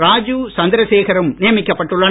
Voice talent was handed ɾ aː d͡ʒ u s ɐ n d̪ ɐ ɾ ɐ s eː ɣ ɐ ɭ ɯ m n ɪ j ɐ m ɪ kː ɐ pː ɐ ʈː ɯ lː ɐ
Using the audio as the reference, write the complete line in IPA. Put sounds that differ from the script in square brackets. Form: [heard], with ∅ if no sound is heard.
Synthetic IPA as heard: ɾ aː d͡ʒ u s ɐ n d̪ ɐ ɾ ɐ s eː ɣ ɐ [ɾ] ɯ m n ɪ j ɐ m ɪ kː ɐ pː ɐ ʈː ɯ [ɭː] ɐ